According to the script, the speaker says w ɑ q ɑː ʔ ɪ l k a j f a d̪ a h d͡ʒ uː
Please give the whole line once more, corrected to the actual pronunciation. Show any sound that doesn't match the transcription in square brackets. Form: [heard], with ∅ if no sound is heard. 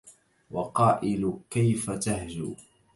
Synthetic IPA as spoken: w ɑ q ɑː ʔ ɪ l k a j f a [t̪] a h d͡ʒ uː